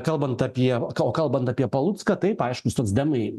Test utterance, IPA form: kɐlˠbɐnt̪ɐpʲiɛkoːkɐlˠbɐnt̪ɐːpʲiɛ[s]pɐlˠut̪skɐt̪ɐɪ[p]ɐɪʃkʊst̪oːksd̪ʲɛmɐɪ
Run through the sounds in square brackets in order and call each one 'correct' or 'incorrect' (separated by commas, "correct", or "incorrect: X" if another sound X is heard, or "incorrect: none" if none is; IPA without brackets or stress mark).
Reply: incorrect: none, correct